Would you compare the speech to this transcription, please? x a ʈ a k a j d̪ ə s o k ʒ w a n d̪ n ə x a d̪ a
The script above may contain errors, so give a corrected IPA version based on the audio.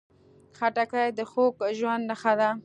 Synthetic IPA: x a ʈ a k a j d̪ ə x o k ʒ w a n d̪ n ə x a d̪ a